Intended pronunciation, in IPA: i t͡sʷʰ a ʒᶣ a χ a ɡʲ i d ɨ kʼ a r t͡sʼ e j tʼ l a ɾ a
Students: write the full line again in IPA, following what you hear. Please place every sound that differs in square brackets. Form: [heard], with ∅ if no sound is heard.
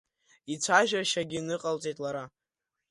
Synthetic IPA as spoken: i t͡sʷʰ a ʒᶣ a [ʃ] a ɡʲ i [n] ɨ [qʼ] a [l] t͡sʼ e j tʼ l a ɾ a